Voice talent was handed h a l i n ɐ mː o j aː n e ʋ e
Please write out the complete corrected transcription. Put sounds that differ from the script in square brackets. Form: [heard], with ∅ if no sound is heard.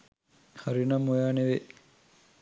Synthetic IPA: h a [ɾ] i n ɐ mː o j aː n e ʋ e

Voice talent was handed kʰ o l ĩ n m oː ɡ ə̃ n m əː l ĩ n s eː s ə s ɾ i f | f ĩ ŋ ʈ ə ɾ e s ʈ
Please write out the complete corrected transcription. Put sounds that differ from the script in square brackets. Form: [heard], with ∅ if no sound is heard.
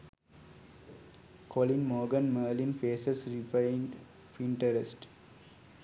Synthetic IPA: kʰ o l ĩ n m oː ɡ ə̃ n m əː l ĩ n [f] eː s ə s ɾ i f | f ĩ [ɳ] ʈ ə ɾ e s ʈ

